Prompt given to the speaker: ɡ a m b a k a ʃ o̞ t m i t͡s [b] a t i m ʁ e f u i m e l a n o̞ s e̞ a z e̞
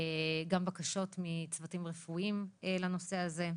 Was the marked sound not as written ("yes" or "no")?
yes